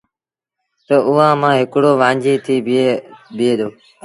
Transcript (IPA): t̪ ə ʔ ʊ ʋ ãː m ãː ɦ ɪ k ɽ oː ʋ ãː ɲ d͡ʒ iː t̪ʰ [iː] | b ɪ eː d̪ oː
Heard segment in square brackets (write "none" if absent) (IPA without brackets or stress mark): iː